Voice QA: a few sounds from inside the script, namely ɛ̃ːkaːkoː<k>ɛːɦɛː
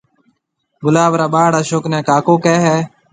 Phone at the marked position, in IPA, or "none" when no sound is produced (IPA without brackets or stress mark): k